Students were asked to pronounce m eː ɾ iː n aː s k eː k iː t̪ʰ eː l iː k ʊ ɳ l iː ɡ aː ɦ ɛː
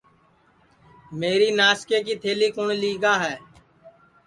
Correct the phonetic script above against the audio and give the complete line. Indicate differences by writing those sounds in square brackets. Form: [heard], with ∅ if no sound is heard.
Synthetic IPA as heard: m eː ɾ iː n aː s k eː k iː t̪ʰ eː l iː k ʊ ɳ l iː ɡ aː ɦ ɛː